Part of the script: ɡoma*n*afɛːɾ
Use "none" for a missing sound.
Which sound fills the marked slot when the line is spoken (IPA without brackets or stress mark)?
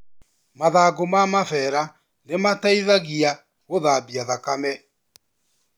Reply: m